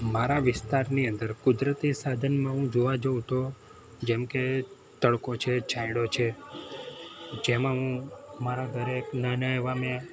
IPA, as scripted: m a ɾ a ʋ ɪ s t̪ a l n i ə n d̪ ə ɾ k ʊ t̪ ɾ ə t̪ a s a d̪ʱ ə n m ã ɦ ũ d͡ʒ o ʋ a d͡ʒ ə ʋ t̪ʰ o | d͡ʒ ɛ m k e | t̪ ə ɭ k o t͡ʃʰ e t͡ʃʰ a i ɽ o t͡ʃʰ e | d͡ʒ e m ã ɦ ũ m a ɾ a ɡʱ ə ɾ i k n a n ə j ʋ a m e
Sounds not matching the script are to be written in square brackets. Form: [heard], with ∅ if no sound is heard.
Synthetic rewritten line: m a ɾ a ʋ ɪ s t̪ a [ɾ] n i ə n d̪ ə ɾ k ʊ [d̪] ɾ ə t̪ [i] s a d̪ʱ ə n m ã ɦ ũ d͡ʒ o ʋ a d͡ʒ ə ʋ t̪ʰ o | d͡ʒ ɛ m k e | t̪ ə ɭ k o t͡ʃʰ e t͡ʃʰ a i ɽ o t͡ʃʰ e | d͡ʒ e m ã ɦ ũ m a ɾ a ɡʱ ə ɾ [e] k n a n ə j ʋ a m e